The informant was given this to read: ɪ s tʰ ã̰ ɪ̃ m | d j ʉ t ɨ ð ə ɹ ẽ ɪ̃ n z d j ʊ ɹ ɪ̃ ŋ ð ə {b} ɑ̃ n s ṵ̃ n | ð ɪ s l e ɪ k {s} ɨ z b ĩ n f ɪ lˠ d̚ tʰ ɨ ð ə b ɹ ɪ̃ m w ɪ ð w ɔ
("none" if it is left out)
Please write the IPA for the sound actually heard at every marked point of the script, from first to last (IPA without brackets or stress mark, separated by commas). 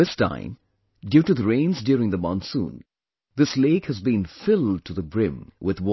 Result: m, h